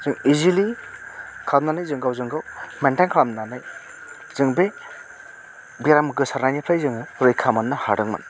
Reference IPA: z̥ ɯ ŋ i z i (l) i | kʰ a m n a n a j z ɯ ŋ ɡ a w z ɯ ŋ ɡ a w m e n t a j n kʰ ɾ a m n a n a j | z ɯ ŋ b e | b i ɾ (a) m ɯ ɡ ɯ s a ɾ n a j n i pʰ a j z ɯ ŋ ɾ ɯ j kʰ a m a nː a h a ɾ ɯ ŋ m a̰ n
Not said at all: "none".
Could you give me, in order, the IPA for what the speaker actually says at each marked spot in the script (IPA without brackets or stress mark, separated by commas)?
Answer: l, a